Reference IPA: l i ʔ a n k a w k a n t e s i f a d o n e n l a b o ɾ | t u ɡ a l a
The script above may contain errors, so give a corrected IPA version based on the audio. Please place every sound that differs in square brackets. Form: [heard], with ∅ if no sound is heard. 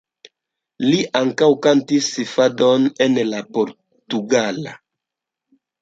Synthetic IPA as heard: l i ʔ a [ŋ] k a w k a n t [i] s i f a d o n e n l a [p] o ɾ | t u ɡ a l a